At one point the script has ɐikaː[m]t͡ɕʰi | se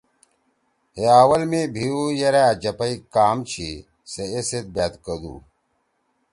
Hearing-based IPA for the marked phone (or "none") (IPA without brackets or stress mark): m